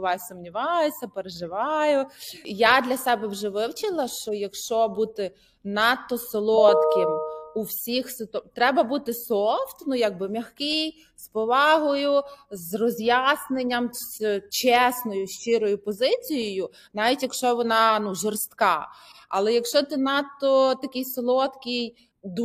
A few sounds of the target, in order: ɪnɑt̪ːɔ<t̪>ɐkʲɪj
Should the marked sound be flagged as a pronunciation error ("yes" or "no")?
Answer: no